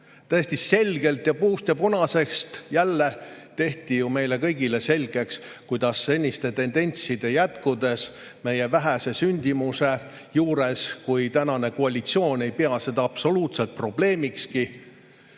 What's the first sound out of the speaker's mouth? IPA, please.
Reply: t̪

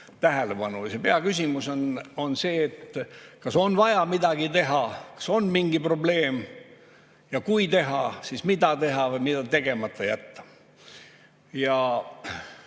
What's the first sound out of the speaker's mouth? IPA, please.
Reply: t̪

